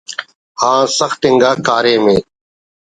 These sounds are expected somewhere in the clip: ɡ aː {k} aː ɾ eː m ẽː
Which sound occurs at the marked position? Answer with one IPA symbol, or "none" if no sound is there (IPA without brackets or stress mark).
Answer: k